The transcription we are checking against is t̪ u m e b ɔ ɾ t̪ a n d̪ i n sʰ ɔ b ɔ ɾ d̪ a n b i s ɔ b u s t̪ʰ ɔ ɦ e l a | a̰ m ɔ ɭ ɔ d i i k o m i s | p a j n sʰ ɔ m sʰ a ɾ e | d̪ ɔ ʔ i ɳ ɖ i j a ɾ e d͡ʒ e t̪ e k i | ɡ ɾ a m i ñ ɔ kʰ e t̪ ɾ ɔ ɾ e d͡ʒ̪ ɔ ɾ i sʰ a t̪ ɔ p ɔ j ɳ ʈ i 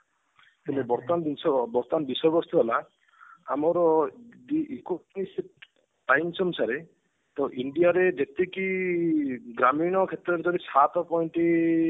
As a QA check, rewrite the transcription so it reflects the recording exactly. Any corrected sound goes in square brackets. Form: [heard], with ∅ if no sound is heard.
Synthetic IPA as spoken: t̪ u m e b ɔ ɾ t̪ a n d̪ i n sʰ ɔ b ɔ ɾ [t̪] a n b i s ɔ b [ɔ] s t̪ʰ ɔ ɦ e l a | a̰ m ɔ [ɾ] ɔ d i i k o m i s | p a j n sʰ ɔ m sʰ a ɾ e | [t̪] ɔ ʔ i ɳ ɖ i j a ɾ e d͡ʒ e t̪ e k i | ɡ ɾ a m i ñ ɔ kʰ e t̪ ɾ ɔ ɾ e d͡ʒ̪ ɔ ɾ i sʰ a t̪ ɔ p ɔ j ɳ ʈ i